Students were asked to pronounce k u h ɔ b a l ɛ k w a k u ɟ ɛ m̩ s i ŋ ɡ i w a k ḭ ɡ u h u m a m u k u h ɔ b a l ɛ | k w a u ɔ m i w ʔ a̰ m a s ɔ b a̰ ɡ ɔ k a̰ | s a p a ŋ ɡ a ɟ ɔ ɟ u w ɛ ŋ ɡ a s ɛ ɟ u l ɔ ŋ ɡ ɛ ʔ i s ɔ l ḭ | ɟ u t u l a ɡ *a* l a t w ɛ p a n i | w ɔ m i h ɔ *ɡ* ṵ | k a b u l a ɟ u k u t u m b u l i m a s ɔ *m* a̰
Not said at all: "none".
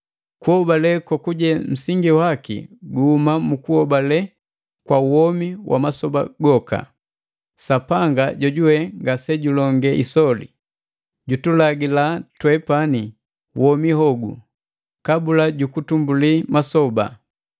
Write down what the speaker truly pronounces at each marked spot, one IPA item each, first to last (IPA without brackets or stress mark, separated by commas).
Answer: i, ɡ, b